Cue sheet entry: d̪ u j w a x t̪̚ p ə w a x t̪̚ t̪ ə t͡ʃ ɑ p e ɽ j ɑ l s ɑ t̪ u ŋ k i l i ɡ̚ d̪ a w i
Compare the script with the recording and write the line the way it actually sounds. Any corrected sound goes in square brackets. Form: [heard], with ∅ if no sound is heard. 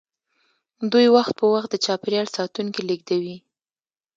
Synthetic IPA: d̪ u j w a x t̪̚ p ə w a x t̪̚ [d̪] ə t͡ʃ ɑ p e [ɾ] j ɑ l s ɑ t̪ u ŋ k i l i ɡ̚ d̪ a w i